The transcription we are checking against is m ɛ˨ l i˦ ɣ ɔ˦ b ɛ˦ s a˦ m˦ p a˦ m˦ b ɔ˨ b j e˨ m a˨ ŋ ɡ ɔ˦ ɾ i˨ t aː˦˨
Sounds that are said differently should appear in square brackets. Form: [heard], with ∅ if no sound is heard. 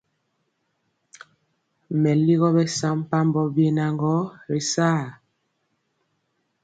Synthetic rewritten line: m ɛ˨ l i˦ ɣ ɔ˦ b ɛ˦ s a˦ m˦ p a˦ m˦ b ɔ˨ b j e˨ [n] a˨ ŋ ɡ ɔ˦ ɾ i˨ [s] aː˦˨